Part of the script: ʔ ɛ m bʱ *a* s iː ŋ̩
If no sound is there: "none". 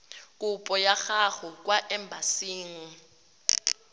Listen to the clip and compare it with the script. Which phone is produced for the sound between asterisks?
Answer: a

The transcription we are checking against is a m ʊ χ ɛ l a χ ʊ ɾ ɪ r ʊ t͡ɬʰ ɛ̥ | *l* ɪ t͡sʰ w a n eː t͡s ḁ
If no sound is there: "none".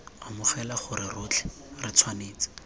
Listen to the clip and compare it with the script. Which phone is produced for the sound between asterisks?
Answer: r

